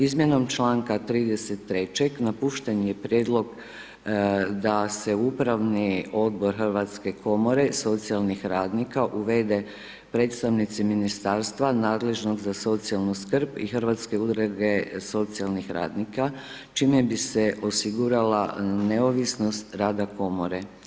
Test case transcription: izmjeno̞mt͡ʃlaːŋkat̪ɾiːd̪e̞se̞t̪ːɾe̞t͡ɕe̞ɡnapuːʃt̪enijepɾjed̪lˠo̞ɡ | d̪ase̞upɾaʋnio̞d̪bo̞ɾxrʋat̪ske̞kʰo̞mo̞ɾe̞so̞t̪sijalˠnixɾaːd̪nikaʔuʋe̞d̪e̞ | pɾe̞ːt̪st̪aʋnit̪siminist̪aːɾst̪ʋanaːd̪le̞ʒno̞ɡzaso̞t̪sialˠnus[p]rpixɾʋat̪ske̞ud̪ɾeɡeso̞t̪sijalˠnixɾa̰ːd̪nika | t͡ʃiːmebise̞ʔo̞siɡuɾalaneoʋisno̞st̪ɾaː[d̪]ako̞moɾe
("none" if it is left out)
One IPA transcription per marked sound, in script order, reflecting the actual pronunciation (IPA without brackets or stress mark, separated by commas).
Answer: k, d̪